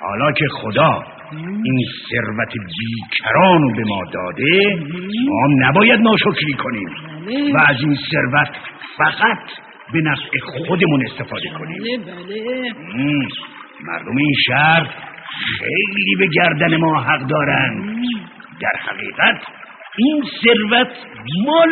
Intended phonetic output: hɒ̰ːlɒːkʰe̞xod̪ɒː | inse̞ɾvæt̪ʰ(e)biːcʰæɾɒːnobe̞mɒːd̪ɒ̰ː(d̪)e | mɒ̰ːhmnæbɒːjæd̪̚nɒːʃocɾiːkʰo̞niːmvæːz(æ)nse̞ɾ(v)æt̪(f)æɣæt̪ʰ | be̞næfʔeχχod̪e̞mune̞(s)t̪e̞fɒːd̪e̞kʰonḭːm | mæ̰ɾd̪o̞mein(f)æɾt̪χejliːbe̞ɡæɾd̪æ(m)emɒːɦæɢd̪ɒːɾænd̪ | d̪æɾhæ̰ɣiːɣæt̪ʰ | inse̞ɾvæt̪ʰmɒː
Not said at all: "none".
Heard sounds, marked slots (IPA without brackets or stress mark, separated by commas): e, d̪, i, v, f, s, ʃ, n